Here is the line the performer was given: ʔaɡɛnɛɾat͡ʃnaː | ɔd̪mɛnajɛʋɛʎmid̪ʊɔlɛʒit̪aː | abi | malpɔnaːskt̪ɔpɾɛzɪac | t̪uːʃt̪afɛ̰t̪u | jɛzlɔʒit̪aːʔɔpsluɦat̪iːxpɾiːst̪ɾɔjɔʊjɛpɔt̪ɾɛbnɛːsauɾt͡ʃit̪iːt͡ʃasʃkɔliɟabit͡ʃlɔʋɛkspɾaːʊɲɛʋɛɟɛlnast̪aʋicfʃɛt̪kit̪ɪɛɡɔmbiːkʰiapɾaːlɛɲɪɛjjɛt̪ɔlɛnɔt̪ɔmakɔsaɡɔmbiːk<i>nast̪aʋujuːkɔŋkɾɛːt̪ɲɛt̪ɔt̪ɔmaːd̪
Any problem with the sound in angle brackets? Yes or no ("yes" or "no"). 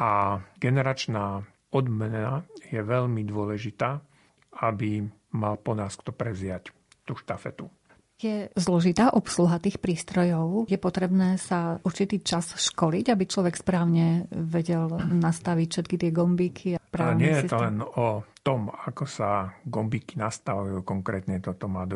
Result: no